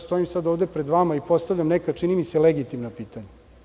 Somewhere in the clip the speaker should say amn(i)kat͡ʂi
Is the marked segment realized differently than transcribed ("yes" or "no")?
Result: yes